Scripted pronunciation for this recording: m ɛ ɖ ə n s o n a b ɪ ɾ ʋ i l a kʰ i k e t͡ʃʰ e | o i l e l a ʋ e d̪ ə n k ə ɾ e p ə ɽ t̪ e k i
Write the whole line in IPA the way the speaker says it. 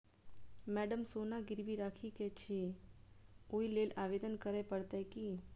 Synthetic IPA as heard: m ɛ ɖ ə m s o n a ɡ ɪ ɾ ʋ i ɾ a kʰ i k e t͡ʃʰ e | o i l e l a ʋ e d̪ ə n k ə ɾ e p ə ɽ t̪ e k i